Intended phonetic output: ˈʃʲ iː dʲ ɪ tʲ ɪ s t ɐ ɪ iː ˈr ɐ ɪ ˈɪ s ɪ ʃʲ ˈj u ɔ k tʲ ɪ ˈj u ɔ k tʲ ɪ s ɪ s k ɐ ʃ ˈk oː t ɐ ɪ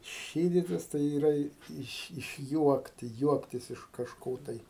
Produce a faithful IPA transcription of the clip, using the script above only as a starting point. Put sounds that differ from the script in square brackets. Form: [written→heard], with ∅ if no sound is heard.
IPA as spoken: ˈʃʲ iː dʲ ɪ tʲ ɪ s t ɐ ɪ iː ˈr ɐ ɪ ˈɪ [s→ʃ] ɪ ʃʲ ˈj u ɔ k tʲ ɪ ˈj u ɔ k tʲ ɪ s ɪ [s→ʃ] k ɐ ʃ ˈk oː t ɐ ɪ